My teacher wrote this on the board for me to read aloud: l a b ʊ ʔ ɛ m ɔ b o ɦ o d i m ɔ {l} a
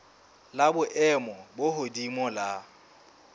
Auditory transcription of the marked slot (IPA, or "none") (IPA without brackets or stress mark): l